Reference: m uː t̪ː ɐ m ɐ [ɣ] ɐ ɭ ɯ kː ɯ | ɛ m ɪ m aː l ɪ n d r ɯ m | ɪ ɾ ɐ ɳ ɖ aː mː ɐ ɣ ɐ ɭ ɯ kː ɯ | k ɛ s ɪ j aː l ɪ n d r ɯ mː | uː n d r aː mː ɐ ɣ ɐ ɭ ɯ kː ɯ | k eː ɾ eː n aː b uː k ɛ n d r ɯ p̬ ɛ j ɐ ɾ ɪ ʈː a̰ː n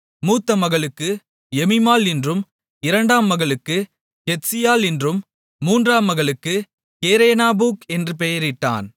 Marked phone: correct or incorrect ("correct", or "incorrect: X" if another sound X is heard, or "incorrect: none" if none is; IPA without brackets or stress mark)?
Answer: correct